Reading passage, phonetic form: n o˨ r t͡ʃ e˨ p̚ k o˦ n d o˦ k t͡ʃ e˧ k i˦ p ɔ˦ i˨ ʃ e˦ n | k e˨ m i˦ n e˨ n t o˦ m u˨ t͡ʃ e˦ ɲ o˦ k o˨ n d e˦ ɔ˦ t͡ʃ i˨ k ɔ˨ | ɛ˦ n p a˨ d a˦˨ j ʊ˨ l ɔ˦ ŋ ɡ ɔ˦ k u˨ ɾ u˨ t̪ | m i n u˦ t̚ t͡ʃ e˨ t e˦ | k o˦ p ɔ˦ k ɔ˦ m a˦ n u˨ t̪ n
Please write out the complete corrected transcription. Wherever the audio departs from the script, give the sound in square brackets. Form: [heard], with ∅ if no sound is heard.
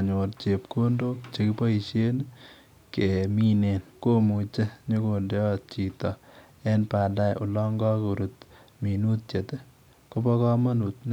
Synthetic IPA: [ɲ] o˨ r t͡ʃ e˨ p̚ k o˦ n d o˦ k t͡ʃ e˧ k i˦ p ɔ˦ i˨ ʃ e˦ n | k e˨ m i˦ n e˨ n [k] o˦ m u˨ t͡ʃ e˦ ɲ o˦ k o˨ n d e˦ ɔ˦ t͡ʃ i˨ [t] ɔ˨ | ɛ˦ n p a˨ d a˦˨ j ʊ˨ l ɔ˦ ŋ ɡ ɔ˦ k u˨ ɾ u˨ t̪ | m i n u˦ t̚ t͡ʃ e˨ t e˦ | k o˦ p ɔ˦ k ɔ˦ m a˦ n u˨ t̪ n